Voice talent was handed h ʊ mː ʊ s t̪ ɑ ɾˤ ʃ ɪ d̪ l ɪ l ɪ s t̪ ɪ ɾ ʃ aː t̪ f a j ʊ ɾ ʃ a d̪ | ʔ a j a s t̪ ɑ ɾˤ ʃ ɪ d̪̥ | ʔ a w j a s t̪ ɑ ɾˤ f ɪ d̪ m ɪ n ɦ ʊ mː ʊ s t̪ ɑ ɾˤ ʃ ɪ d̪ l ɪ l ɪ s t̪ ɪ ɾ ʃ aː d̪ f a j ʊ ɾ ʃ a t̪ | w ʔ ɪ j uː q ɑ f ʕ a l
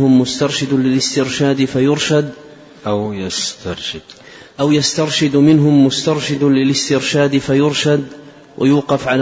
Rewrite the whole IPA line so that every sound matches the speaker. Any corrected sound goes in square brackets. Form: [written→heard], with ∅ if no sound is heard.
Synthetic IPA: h ʊ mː ʊ s t̪ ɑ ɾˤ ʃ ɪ d̪ l ɪ l ɪ s t̪ ɪ ɾ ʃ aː [t̪→d̪] f a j ʊ ɾ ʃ a d̪ | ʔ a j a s t̪ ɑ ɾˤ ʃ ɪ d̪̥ | ʔ a w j a s t̪ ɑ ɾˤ [f→ʃ] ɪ d̪ m ɪ n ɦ ʊ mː ʊ s t̪ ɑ ɾˤ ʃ ɪ d̪ l ɪ l ɪ s t̪ ɪ ɾ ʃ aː d̪ f a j ʊ ɾ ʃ a [t̪→d̪] | w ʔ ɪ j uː q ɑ f ʕ a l